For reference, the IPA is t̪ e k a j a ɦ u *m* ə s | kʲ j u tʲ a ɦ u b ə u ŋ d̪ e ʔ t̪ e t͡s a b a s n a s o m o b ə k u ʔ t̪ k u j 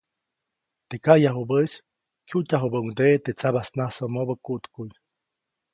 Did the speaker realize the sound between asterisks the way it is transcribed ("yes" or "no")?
no